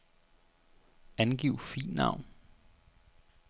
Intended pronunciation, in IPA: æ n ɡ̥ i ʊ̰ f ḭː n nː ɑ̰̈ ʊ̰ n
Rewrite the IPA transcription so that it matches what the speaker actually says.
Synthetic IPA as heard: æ n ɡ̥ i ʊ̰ f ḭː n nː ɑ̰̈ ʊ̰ n